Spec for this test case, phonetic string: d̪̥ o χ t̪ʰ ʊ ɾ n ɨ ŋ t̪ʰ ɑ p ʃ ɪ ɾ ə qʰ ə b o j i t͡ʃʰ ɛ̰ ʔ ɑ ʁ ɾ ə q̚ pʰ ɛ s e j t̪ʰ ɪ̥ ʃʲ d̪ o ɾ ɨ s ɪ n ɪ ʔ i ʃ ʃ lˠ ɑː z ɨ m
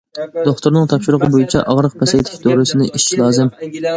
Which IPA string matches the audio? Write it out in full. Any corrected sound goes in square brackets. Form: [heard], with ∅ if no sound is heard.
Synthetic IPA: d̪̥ o χ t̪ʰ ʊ ɾ n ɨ ŋ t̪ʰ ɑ p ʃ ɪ ɾ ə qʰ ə b o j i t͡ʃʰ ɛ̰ ʔ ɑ ʁ ɾ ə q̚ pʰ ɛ s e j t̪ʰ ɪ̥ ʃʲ d̪ o ɾ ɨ s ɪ n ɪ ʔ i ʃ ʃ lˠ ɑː z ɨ m

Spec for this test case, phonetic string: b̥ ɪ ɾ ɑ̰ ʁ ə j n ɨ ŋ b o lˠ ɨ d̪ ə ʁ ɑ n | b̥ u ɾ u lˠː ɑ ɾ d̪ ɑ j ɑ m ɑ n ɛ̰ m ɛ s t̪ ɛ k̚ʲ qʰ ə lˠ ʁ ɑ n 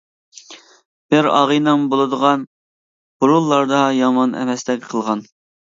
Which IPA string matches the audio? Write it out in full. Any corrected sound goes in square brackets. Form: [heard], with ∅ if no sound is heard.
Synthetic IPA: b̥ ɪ ɾ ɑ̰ ʁ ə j n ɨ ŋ b o lˠ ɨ d̪ ə ʁ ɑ n | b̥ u ɾ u lˠː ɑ ɾ d̪ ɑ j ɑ m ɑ n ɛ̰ m ɛ s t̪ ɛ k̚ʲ qʰ ə lˠ ʁ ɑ n

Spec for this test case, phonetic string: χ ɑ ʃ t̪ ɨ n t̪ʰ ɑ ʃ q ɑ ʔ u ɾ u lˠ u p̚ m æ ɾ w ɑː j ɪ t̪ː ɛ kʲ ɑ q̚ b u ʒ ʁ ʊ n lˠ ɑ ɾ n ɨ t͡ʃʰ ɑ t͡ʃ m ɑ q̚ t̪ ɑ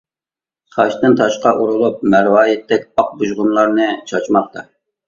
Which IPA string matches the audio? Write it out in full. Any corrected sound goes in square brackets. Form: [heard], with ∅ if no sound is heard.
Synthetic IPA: χ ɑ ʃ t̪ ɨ n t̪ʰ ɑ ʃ q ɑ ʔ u ɾ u lˠ u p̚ m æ ɾ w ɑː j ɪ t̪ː ɛ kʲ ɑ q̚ b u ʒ ʁ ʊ n lˠ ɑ ɾ n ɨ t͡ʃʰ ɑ t͡ʃ m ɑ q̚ t̪ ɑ

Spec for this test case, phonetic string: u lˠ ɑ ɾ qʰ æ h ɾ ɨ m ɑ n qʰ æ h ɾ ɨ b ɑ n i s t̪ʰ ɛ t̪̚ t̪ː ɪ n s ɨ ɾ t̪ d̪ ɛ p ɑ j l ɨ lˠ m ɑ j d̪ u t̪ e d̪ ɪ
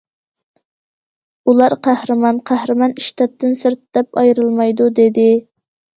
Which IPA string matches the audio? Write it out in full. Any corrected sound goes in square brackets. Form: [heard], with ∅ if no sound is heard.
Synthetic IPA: u lˠ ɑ ɾ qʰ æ h ɾ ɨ m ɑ n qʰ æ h ɾ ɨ [m] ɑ n i [ʃ] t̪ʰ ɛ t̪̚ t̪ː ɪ n s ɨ ɾ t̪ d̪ ɛ p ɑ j [ɾ] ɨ lˠ m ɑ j d̪ u [d̪] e d̪ ɪ

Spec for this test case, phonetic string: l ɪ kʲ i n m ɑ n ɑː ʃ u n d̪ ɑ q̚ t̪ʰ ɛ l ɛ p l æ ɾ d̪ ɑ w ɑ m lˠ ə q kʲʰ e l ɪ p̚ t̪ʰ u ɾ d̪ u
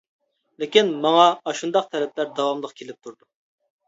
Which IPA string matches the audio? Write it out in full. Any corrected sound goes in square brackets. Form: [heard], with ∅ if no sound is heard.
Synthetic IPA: l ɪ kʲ i n m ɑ [ŋ] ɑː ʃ u n d̪ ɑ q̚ t̪ʰ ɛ l ɛ p l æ ɾ d̪ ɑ w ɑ m lˠ ə q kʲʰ e l ɪ p̚ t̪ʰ u ɾ d̪ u

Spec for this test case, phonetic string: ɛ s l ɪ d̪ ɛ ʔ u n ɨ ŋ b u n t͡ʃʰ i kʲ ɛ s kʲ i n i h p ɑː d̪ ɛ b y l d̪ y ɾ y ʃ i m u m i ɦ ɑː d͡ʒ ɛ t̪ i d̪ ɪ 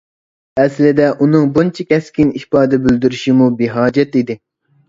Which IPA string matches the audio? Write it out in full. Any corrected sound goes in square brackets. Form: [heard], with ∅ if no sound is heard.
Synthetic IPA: ɛ s l ɪ d̪ ɛ ʔ u n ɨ ŋ b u n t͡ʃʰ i kʲ ɛ s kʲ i n i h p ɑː d̪ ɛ b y l d̪ y ɾ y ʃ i m u [b] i ɦ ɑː d͡ʒ ɛ t̪ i d̪ ɪ

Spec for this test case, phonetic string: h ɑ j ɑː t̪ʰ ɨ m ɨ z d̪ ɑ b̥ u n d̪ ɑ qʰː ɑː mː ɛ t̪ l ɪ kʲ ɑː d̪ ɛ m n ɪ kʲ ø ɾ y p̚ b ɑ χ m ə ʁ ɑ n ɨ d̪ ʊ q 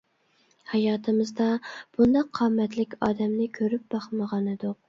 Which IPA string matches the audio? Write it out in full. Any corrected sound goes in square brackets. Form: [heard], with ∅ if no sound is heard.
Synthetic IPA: h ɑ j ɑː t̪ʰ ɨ m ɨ z d̪ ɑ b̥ u n d̪ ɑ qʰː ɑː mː ɛ t̪ l ɪ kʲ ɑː d̪ ɛ m n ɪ [kʲʰ] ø ɾ y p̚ b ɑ χ m ə ʁ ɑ n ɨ d̪ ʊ q

